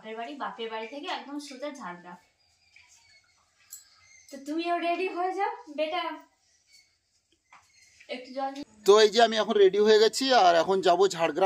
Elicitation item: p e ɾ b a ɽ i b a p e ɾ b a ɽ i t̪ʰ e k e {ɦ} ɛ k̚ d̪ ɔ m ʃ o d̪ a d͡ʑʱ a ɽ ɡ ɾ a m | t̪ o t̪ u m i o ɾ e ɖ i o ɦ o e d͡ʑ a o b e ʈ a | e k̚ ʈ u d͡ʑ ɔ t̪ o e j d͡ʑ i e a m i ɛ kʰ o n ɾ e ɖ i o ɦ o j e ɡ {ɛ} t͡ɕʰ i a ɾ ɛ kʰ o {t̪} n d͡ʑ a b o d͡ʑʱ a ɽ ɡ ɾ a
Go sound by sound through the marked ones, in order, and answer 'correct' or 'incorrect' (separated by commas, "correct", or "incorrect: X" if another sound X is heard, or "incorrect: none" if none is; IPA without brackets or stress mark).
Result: incorrect: none, correct, incorrect: none